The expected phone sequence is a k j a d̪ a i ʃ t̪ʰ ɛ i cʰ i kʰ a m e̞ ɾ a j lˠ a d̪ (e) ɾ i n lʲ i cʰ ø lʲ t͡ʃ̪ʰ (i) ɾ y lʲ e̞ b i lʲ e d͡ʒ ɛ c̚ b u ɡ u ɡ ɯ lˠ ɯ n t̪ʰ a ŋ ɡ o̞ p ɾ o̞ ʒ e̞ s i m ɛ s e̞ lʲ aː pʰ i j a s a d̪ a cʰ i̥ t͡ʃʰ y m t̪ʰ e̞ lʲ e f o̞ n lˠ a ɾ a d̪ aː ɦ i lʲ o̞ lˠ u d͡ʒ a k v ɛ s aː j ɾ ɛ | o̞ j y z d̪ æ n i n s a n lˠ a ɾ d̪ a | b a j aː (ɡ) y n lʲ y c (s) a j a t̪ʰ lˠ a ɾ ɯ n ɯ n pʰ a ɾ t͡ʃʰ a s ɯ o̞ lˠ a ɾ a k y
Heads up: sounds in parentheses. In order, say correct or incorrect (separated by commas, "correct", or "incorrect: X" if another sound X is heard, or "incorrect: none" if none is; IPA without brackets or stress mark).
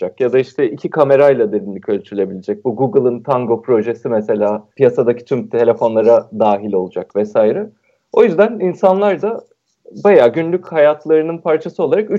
correct, incorrect: y, incorrect: ɟ, incorrect: h